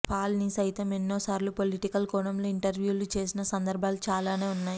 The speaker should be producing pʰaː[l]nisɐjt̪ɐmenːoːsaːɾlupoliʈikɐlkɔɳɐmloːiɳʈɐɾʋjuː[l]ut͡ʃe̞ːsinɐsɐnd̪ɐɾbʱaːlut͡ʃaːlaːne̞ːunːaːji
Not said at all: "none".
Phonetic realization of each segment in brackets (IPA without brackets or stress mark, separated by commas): l, l